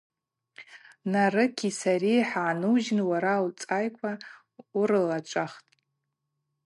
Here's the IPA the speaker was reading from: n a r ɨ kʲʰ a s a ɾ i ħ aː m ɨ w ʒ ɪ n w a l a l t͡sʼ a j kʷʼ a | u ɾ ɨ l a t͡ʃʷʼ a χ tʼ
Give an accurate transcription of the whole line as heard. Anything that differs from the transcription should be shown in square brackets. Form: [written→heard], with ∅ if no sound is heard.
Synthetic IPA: n a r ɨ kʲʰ [a→i] s a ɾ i ħ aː [m→n] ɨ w ʒ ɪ n w a [l→ɾ] a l t͡sʼ a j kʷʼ a | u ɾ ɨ l a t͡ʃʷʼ a χ tʼ